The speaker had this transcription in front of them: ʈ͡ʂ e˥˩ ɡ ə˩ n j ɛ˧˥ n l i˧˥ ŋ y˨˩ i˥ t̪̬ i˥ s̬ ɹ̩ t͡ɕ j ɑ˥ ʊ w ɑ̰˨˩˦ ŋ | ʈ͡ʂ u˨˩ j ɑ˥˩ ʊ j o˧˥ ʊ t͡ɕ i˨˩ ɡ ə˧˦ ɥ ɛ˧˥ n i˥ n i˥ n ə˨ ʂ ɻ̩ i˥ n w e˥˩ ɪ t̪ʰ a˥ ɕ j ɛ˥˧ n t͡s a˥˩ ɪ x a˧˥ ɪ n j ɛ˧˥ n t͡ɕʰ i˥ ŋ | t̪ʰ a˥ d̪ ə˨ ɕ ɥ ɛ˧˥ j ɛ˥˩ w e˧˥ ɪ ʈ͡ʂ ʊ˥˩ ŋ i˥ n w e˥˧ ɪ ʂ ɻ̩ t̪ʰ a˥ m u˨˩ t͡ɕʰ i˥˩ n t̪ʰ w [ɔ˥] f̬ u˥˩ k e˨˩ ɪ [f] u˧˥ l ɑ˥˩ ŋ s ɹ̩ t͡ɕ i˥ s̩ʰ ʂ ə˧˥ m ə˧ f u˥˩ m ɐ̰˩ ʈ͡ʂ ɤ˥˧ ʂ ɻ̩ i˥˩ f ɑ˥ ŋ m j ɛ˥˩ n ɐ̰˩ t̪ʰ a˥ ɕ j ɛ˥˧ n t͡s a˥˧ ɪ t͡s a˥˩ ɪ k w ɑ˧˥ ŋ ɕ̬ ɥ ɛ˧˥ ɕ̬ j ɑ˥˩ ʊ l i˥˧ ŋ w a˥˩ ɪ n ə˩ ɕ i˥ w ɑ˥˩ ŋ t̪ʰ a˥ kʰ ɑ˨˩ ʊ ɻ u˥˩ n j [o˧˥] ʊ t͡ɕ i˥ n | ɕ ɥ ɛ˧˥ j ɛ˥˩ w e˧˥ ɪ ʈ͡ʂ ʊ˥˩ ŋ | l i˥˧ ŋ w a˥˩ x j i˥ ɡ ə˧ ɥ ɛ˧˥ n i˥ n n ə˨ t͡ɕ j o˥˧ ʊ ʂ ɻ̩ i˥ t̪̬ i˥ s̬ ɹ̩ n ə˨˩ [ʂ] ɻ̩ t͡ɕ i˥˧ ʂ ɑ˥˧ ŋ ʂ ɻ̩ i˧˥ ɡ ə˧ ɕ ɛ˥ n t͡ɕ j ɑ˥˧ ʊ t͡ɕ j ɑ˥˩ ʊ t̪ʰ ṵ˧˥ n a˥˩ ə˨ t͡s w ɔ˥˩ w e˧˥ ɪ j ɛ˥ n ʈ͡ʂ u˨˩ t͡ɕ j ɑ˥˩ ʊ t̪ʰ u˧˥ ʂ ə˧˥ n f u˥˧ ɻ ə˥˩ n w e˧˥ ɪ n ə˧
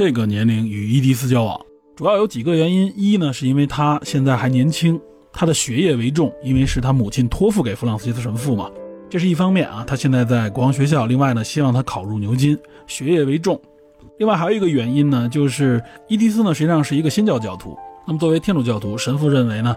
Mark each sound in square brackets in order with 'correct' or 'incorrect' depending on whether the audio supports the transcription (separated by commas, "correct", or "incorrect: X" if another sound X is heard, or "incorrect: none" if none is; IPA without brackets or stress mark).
correct, correct, correct, correct